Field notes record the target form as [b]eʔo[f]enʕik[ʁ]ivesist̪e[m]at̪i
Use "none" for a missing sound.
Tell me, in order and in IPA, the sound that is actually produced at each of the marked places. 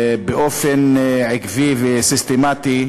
b, f, v, m

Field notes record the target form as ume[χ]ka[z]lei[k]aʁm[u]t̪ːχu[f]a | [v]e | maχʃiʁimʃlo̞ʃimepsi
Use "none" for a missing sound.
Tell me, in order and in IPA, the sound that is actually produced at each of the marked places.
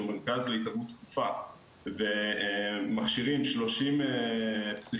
ʁ, z, t, u, f, v

